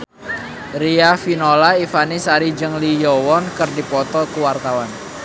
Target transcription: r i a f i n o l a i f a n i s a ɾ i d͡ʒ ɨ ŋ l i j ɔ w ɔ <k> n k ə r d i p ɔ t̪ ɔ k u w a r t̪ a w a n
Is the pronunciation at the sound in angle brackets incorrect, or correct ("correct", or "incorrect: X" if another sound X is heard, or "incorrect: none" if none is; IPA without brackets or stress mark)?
incorrect: none